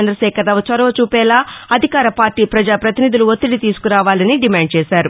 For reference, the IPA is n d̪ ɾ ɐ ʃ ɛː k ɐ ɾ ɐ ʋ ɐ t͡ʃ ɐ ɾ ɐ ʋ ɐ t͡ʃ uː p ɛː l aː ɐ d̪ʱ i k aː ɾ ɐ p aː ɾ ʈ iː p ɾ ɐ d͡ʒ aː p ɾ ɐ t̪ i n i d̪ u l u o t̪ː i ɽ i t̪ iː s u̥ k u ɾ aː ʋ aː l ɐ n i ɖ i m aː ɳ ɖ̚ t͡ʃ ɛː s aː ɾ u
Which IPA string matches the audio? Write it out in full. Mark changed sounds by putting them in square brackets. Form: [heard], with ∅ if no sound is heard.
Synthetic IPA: n d̪ ɾ ɐ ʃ ɛː k ɐ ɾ ɐ ʋ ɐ t͡ʃ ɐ ɾ ɐ ʋ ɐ t͡ʃ uː p ɛː l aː ɐ d̪ʱ i k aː ɾ ɐ p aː ɾ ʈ iː p ɾ ɐ d͡ʒ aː p ɾ ɐ t̪ i n i d̪ u l u o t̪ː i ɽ i t̪ iː s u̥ k u ɾ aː ʋ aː l ɐ n i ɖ i m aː ɳ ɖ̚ t͡ʃ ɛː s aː ɾ u